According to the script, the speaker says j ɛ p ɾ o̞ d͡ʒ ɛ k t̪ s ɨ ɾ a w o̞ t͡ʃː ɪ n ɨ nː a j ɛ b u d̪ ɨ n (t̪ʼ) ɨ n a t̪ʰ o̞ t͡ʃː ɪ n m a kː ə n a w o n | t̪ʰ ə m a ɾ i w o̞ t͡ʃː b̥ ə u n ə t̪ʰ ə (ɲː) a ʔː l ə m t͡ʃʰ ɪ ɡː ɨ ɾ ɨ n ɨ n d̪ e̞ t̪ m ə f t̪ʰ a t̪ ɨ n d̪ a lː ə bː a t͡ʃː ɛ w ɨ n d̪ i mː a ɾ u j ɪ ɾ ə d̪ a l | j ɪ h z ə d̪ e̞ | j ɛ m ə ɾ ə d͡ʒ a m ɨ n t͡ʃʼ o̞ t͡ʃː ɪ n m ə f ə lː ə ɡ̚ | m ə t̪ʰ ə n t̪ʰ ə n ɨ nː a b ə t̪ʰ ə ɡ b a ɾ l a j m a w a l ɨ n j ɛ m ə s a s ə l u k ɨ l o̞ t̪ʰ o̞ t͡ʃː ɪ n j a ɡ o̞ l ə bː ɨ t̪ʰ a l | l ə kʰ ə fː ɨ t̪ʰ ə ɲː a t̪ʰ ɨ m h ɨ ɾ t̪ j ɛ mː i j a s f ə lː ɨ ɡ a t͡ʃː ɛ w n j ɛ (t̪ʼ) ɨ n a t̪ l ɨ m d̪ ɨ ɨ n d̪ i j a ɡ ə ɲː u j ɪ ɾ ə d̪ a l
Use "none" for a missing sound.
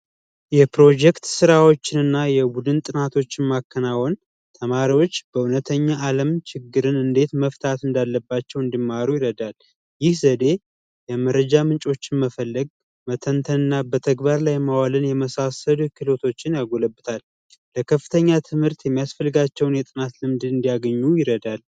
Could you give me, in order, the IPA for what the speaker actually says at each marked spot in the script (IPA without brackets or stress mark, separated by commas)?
t̪ʼ, ɲː, t̪ʼ